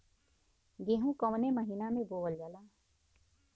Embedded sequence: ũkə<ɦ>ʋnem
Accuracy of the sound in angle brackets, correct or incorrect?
incorrect